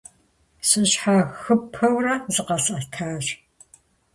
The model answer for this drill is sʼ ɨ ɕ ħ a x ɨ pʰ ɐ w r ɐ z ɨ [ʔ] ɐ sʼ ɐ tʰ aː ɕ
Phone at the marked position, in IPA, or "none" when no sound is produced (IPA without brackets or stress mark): q